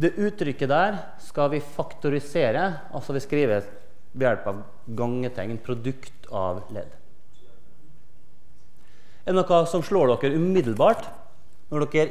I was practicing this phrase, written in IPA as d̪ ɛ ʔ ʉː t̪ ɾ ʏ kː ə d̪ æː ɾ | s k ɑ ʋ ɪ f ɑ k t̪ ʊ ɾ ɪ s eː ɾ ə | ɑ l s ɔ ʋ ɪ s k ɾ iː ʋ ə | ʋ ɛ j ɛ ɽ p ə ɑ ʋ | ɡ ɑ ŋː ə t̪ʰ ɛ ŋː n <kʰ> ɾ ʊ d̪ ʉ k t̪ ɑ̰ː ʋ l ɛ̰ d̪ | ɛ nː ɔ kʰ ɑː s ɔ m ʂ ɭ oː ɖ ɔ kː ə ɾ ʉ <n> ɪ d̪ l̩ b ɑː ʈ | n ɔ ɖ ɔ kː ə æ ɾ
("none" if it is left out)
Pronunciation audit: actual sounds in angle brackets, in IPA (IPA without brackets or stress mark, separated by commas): pʰ, m